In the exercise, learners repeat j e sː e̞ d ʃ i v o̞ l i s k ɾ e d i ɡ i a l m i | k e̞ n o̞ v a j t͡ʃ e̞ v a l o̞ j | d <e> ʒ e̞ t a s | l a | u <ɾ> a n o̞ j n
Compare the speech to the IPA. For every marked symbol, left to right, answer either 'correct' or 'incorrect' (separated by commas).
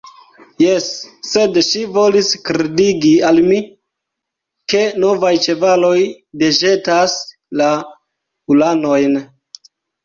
correct, incorrect